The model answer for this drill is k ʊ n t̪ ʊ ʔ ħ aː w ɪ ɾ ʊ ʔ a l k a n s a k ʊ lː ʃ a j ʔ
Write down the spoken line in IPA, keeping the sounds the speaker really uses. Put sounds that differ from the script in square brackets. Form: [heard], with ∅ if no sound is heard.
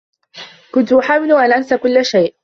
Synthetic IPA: k ʊ n t̪ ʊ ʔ ħ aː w ɪ [l] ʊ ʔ a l [ʔ] a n s a k ʊ lː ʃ a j ʔ

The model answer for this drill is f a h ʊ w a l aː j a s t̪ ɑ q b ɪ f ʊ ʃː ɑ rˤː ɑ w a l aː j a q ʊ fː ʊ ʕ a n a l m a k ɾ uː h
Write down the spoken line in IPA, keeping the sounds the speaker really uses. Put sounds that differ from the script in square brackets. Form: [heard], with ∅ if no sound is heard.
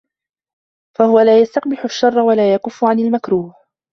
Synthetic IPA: f a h ʊ w a l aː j a s t̪ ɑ q b ɪ [ħ] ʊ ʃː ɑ rˤː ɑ w a l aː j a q ʊ fː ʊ ʕ a n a l m a k ɾ uː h

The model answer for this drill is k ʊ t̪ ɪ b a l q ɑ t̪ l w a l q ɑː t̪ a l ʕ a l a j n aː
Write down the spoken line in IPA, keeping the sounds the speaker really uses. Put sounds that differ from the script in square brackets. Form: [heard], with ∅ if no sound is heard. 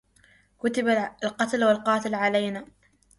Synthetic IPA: k ʊ t̪ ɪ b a l q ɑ t̪ l w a l q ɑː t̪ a l ʕ a l a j n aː

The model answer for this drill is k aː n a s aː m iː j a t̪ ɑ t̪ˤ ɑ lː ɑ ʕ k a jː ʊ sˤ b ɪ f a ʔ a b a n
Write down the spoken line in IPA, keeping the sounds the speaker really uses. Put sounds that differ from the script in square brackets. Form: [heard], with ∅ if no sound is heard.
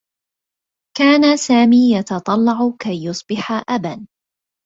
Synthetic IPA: k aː n a s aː m iː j [ɑ] t̪ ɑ t̪ˤ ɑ lː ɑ ʕ k a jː ʊ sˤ b ɪ [ħ] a ʔ a b a n

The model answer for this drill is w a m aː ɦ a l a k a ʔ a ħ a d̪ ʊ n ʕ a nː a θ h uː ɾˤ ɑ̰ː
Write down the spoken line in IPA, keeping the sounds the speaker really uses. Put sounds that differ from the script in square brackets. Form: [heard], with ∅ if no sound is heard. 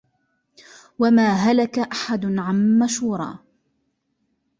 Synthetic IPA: w a m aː ɦ a l a k a ʔ a ħ a d̪ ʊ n ʕ a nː a [ʃ] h uː ɾˤ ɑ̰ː

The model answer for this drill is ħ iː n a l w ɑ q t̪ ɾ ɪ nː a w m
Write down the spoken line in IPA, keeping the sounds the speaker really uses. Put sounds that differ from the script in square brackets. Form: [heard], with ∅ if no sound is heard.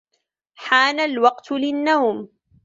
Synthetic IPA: ħ [aː] n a l w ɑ q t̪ [l] ɪ nː a w m

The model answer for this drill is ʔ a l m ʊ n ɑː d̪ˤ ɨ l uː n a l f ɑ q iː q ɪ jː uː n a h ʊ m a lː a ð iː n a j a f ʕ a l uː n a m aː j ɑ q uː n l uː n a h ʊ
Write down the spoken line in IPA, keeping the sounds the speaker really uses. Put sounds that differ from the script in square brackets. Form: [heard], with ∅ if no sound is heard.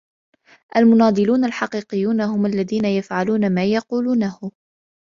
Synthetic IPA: ʔ a l m ʊ n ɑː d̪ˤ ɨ l uː n a l [ħ] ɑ q iː q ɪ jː uː n a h ʊ m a lː a ð iː n a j a f ʕ a l uː n a m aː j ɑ q uː [∅] l uː n a h ʊ

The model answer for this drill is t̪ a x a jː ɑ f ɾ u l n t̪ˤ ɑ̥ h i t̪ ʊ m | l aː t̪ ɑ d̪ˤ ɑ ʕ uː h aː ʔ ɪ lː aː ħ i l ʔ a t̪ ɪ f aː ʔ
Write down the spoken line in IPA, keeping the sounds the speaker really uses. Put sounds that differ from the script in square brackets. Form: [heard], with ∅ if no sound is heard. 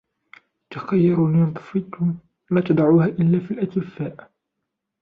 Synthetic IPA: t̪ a x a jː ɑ [∅] ɾ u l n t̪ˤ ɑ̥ [f] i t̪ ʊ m | l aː t̪ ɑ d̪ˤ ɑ ʕ uː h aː ʔ ɪ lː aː [f] i l ʔ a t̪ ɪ f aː ʔ

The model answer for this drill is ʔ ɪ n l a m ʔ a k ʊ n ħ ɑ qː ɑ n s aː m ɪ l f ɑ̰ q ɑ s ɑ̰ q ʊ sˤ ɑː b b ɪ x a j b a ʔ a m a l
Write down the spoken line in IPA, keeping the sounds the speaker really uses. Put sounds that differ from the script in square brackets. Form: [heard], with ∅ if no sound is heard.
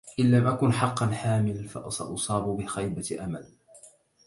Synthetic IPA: ʔ ɪ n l a m ʔ a k ʊ n ħ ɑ qː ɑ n [ħ] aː m ɪ l f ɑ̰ [ʔ] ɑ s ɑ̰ [ʔ] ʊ sˤ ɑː b b ɪ x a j b a ʔ a m a l

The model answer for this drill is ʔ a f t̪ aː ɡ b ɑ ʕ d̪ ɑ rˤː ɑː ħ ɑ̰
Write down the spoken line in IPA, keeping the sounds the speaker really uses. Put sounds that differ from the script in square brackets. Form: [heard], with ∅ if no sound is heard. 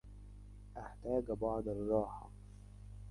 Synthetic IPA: ʔ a [ħ] t̪ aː ɡ b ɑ ʕ d̪ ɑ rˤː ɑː ħ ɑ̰

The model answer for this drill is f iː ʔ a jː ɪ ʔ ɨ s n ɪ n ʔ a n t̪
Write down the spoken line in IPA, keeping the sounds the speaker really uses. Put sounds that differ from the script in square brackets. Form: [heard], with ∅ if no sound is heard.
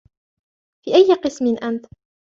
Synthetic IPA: f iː ʔ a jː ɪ [q] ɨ s [m] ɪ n ʔ a n t̪

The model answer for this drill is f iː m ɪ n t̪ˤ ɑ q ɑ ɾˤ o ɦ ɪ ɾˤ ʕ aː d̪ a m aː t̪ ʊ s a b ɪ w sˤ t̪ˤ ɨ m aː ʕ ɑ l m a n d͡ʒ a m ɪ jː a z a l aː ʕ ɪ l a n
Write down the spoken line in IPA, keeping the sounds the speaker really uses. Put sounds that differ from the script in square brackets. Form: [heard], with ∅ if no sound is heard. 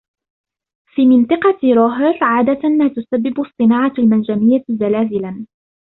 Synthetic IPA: f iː m ɪ n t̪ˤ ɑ q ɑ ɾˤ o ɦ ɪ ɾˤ ʕ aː d̪ a m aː t̪ ʊ s a [bː] ɪ [b] sˤ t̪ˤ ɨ [n] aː ʕ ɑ l m a n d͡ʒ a m ɪ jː a z a l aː [z] ɪ l a n

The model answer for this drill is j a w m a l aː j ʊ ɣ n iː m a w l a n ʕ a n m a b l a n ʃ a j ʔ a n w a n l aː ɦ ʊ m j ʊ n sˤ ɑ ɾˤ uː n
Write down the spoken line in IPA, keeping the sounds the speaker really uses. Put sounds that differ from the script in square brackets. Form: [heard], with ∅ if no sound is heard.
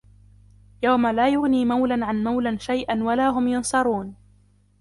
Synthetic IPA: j a w m a l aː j ʊ ɣ n iː m a w l a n ʕ a n m a [w] l a n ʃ a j ʔ a n w a [∅] l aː ɦ ʊ m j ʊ n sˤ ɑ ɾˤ uː n

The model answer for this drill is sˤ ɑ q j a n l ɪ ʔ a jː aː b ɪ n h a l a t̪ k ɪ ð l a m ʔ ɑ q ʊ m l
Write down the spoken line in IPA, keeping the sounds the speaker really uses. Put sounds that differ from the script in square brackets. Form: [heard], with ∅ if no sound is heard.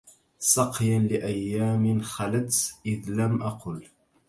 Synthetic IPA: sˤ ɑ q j a n l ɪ ʔ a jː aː [m] ɪ n [x] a l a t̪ [ʔ] ɪ ð l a m ʔ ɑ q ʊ [∅] l

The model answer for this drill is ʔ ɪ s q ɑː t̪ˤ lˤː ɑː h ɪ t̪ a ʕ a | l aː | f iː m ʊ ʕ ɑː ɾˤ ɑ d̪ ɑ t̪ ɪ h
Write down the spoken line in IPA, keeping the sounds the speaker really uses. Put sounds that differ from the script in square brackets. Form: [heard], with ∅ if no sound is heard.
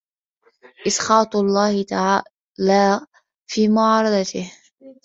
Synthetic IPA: ʔ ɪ s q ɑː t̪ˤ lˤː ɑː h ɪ t̪ a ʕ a | l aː | f iː m ʊ ʕ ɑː ɾˤ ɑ d̪ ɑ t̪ ɪ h

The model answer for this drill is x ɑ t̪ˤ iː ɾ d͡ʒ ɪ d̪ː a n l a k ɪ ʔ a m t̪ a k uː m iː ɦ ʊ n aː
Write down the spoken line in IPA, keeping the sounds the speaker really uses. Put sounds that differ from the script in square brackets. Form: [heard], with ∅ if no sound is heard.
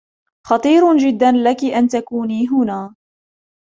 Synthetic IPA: x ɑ t̪ˤ iː ɾ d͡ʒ ɪ d̪ː a n l a k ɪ ʔ a [n] t̪ a k uː [n] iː ɦ ʊ n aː

